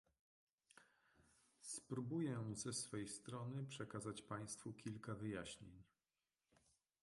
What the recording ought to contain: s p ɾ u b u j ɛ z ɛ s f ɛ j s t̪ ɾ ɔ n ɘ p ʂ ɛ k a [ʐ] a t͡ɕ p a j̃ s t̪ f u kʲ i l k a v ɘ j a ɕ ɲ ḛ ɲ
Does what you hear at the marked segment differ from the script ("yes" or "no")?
yes